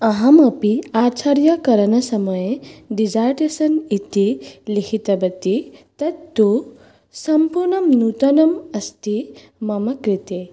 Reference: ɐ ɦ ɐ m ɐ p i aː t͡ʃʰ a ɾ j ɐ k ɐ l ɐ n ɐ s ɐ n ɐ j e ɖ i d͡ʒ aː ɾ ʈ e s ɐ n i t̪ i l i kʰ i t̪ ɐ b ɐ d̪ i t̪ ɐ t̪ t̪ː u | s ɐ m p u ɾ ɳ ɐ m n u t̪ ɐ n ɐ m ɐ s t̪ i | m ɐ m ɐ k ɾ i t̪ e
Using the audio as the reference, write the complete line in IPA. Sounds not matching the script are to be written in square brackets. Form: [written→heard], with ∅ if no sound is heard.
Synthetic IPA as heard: ɐ ɦ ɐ m ɐ p i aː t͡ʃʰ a ɾ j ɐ k ɐ [l→ɾ] ɐ n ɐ s ɐ [n→m] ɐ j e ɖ i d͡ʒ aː ɾ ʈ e s ɐ n i t̪ i l i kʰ i t̪ ɐ b ɐ [d̪→t̪] i t̪ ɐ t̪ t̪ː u | s ɐ m p u ɾ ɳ ɐ m n u t̪ ɐ n ɐ m ɐ s t̪ i | m ɐ m ɐ k ɾ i t̪ e